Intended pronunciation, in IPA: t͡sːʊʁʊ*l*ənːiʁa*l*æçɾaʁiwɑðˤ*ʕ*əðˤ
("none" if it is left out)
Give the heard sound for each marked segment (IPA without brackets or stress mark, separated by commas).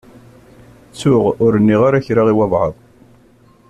ɾ, ɾ, ʕ